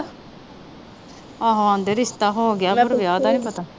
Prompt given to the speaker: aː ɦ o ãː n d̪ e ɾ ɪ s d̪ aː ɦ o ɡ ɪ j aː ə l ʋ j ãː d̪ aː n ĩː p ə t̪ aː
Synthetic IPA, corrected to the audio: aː ɦ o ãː n d̪ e ɾ ɪ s t̪ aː ɦ o ɡ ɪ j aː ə ɾ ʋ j aː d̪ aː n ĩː p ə t̪ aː